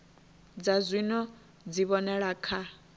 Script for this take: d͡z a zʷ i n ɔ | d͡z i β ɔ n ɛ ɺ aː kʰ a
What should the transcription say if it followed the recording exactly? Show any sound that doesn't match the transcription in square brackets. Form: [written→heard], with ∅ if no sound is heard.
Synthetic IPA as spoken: d͡z a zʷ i n ɔ | d͡z i β ɔ n ɛ ɺ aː kʰ a